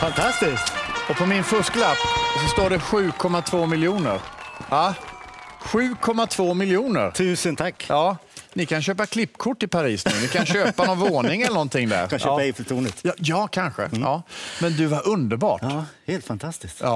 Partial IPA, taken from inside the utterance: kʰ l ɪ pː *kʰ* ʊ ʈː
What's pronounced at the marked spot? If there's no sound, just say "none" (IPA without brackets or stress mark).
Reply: kʰ